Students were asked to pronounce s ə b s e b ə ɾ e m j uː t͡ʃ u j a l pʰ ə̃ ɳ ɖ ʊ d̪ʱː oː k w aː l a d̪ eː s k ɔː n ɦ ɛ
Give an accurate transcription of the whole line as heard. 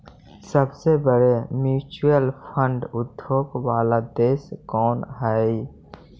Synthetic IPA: s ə b s e b ə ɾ e m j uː t͡ʃ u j ə l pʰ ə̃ ɳ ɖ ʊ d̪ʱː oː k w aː l a d̪ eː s k ɔː n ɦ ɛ